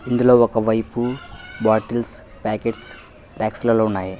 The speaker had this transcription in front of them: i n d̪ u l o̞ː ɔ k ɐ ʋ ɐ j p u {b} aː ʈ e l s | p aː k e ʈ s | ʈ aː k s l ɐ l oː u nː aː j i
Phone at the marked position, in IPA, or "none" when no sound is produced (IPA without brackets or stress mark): b